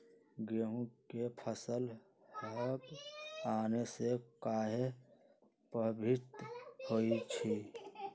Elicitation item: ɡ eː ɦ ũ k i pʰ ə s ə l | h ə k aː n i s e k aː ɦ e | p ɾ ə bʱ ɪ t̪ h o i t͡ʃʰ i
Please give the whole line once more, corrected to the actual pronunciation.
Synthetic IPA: ɡ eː ɦ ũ k e pʰ ə s ə l | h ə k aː n e s e k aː ɦ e | p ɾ ə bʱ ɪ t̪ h o i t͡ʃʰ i

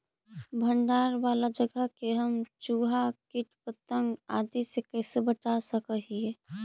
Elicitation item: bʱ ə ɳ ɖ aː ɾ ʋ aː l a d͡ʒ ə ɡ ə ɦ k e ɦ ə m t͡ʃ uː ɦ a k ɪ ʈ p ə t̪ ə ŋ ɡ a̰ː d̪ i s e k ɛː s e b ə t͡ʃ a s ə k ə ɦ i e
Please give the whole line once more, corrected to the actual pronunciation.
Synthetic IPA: bʱ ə ɳ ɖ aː ɾ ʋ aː l a d͡ʒ ə ɡ ə ɦ k e ɦ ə m t͡ʃ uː ɦ a k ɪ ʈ p ə t̪ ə ŋ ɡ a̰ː d̪ i s e k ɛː s e b ə t͡ʃ a s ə k ə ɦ i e

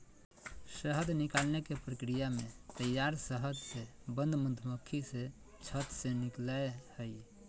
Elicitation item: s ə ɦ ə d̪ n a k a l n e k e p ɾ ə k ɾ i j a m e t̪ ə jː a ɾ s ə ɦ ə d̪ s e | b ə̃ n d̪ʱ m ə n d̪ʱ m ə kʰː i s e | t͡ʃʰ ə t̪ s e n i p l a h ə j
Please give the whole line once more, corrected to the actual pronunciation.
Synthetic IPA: s ə ɦ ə d̪ n i k a l n e k e p ɾ ə k ɾ i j a m e t̪ ə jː a ɾ s ə ɦ ə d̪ s e | b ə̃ n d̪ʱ m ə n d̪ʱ m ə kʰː i s e | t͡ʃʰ ə t̪ s e n i k l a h ə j

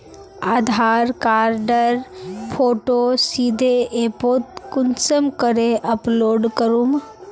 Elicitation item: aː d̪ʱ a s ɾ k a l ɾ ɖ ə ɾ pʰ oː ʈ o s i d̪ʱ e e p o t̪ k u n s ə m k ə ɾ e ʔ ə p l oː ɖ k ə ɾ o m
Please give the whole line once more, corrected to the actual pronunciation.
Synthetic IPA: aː d̪ʱ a ɾ k a ɾ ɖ ə ɾ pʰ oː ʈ o s i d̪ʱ e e p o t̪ k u n s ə m k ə ɾ e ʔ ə p l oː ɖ k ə ɾ u m

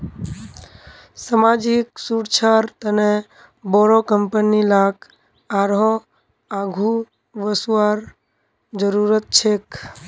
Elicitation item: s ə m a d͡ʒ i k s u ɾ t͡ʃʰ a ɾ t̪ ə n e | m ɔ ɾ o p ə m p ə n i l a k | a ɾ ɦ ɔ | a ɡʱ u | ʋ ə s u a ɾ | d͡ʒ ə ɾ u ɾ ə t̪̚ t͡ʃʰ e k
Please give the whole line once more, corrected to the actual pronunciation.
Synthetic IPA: s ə m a d͡ʒ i k s u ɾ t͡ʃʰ a ɾ t̪ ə n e | b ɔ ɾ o k ə m p ə n i l a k | a ɾ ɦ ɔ | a ɡʱ u | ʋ ə s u a ɾ | d͡ʒ ə ɾ u ɾ ə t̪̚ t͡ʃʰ e k

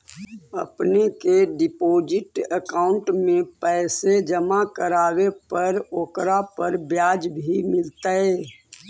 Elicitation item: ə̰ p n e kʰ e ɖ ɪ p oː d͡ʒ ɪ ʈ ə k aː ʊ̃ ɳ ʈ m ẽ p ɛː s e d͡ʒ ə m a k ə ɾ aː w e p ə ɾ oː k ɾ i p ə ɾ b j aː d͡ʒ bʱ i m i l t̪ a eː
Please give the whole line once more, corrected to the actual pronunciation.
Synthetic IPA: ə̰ p n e k e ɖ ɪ p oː d͡ʒ ɪ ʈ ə k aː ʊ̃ ɳ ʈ m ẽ p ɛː s e d͡ʒ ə m a k ə ɾ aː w e p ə ɾ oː k ɾ a p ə ɾ b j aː d͡ʒ bʱ i m ɪ l t̪ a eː

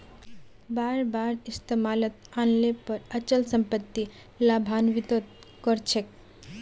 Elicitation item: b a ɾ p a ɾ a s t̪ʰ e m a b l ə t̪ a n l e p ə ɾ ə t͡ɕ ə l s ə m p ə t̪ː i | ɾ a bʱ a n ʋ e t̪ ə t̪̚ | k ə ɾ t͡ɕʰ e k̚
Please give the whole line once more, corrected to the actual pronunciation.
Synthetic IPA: b a ɾ b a ɾ i s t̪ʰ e m a l ə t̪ a n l e p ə ɾ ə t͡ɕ ə l s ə m p ə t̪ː i | l a bʱ a n ʋ i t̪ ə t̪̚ | k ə ɾ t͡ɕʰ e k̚

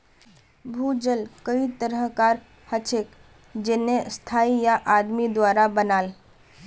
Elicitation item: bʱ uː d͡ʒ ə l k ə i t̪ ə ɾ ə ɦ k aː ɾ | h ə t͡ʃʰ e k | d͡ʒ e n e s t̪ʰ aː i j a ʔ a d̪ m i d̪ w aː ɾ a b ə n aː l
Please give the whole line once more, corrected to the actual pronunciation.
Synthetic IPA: bʱ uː d͡ʒ ə l k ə i t̪ ə ɾ ə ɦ k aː ɾ | h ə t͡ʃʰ e k | d͡ʒ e n e s t̪ʰ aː i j a ʔ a d̪ m i d̪ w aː ɾ a b ə n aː l

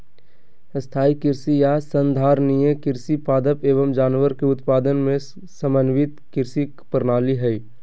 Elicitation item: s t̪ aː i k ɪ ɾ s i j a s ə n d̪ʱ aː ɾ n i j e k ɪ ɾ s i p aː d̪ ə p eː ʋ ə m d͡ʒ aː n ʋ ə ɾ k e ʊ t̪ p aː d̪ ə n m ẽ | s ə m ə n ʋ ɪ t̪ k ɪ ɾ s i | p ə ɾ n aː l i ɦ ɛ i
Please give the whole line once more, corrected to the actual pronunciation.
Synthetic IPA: s t̪ʰ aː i k ɪ ɾ s i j a s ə n d̪ʱ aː ɾ n i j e k ɪ ɾ s i p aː d̪ ə p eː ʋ ə m d͡ʒ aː n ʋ ə ɾ k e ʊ t̪ p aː d̪ ə n m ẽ | s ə m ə n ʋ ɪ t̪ k ɪ ɾ s i | p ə ɾ n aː l i ɦ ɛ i

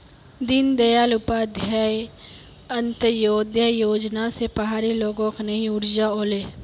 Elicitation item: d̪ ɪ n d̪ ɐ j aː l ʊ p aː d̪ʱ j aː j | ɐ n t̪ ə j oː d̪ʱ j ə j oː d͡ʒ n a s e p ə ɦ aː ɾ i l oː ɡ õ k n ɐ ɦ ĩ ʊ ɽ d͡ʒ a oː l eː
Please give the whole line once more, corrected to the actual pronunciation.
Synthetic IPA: d̪ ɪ n d̪ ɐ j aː l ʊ p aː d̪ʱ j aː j | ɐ n t̪ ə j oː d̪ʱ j ə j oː d͡ʒ n a s e p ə ɦ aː ɾ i l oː ɡ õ k n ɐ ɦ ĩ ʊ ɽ d͡ʒ a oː l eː

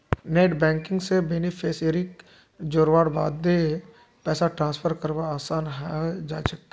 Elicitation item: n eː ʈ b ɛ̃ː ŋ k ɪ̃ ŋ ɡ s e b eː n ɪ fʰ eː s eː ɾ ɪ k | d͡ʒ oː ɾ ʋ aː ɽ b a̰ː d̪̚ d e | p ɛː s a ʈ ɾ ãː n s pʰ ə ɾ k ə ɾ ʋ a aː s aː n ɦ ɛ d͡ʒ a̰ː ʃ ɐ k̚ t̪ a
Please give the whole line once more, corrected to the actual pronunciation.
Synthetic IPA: n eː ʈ b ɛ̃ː ŋ k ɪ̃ ŋ ɡ s e b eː n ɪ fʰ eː s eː ɾ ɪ k | d͡ʒ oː ɾ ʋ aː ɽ b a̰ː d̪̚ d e | p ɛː s a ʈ ɾ ãː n s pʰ ə ɾ k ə ɾ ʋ a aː s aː n ɦ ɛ d͡ʒ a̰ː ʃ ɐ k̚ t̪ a

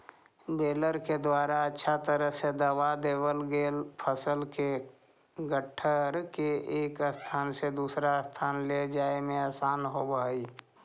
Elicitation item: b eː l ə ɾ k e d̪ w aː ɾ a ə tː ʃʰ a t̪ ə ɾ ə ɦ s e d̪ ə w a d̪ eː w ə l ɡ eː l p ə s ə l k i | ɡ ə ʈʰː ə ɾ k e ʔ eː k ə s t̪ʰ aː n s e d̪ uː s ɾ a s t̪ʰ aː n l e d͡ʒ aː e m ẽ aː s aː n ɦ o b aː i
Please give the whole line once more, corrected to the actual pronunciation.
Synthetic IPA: b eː l ə ɾ k e d̪ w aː ɾ a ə tː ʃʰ a t̪ ə ɾ ə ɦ s e d̪ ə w a d̪ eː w ə l ɡ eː l pʰ ə s ə l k e | ɡ ə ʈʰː ə ɾ k e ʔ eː k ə s t̪ʰ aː n s e d̪ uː s ɾ a s t̪ʰ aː n l e d͡ʒ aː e m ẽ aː s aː n ɦ o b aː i

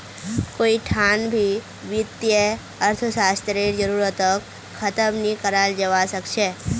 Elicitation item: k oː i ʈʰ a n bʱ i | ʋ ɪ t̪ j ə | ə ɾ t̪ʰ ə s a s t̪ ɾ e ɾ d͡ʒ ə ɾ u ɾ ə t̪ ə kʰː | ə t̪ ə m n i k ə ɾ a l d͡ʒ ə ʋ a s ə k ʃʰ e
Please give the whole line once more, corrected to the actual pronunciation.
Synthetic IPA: k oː i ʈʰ a n bʱ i | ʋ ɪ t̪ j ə | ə ɾ t̪ʰ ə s a s t̪ ɾ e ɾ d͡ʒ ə ɾ u ɾ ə t̪ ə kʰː | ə t̪ ə m n i k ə ɾ a l d͡ʒ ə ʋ a s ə k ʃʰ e

